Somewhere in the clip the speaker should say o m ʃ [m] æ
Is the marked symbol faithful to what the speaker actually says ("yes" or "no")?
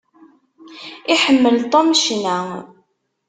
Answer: no